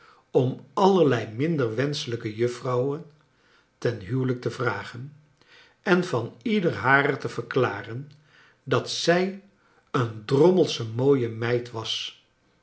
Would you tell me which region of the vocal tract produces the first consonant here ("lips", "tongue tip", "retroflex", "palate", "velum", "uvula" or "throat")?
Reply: lips